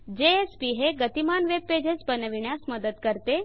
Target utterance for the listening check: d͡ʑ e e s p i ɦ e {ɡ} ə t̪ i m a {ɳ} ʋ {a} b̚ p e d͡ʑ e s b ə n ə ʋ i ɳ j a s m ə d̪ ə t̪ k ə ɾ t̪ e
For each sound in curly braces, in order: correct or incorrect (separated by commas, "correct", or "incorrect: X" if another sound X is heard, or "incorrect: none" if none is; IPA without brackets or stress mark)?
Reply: correct, incorrect: n, incorrect: e